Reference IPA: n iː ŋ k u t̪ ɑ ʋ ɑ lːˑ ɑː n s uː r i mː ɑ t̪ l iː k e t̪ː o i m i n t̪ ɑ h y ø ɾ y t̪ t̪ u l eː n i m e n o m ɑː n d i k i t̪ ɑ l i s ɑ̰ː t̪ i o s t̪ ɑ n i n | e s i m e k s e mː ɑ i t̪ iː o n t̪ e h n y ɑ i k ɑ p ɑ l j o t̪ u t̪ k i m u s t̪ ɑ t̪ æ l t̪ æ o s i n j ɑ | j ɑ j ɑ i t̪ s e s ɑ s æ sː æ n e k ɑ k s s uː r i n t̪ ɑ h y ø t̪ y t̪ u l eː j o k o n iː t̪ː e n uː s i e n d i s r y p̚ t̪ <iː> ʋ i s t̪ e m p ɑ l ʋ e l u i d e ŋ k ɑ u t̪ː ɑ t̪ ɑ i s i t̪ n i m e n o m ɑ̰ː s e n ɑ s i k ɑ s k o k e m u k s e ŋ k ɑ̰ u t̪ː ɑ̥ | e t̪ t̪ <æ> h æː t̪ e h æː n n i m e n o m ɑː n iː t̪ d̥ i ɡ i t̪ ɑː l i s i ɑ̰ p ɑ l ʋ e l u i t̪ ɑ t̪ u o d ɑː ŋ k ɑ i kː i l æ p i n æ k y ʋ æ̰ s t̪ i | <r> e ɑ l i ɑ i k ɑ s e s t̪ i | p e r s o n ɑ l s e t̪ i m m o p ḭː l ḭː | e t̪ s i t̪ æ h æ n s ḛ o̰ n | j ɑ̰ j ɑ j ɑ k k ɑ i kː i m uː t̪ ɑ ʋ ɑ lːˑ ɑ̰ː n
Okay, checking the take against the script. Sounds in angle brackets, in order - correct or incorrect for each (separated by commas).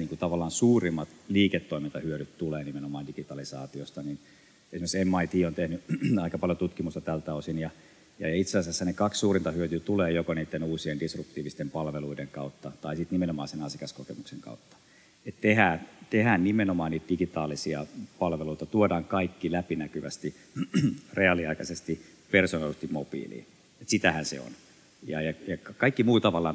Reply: correct, incorrect, correct